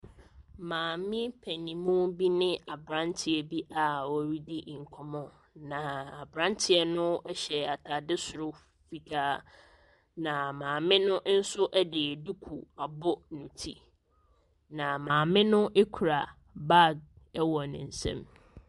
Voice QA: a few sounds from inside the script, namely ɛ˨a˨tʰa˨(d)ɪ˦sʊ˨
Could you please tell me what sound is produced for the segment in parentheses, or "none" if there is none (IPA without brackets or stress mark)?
d